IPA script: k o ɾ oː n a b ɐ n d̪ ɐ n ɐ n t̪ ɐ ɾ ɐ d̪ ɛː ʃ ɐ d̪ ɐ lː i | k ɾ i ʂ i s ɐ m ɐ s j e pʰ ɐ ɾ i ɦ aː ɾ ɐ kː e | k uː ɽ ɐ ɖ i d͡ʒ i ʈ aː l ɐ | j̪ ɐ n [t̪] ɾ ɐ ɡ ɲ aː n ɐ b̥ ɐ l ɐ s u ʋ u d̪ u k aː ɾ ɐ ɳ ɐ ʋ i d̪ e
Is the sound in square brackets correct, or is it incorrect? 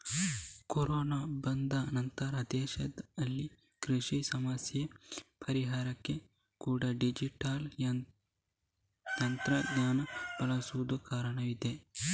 correct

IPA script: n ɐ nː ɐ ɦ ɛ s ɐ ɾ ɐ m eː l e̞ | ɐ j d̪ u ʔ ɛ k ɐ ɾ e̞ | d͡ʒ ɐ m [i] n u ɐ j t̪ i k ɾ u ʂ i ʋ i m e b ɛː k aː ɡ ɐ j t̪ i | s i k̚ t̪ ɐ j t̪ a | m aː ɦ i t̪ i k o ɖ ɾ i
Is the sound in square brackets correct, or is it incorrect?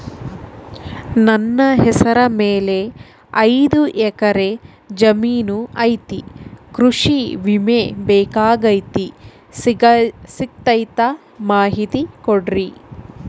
incorrect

